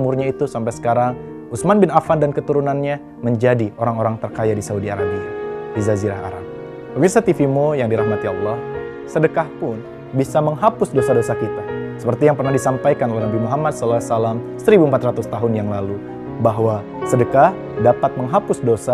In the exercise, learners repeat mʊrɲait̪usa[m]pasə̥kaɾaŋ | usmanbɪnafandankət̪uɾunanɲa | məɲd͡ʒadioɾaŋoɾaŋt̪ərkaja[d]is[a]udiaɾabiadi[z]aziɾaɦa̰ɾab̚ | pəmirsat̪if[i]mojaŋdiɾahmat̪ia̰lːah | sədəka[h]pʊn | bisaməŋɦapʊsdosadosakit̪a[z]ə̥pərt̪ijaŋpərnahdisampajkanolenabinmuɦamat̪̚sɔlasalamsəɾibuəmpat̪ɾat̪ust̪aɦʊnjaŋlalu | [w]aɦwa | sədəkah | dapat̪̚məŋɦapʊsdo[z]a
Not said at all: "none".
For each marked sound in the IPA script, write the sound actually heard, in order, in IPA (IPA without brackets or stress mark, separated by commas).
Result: m, d, a, z, i, h, s, b, s